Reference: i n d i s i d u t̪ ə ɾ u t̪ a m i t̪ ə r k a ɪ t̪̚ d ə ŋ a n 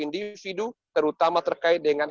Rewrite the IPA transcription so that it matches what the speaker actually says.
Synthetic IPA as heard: i n d i f i d u t̪ ə ɾ u t̪ a m a t̪ ə r k a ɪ t̪̚ d ə ŋ a n